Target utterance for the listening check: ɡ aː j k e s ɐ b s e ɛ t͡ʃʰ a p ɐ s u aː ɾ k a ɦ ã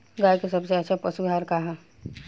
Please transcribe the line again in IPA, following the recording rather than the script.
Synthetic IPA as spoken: ɡ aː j k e s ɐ b s e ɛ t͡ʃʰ a p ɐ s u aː ɾ k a ɦ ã